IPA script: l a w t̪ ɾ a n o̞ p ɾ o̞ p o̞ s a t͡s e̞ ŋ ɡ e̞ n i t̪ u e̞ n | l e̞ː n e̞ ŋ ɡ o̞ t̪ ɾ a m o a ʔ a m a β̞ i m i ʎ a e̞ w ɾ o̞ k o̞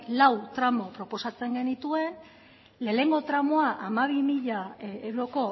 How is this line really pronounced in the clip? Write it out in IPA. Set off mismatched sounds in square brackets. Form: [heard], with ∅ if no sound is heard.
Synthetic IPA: l a w t̪ ɾ a [m] o̞ p ɾ o̞ p o̞ s a t͡s e̞ ŋ ɡ e̞ n i t̪ u e̞ n | l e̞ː n e̞ ŋ ɡ o̞ t̪ ɾ a m o a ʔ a m a β̞ i m i ʎ a e̞ w ɾ o̞ k o̞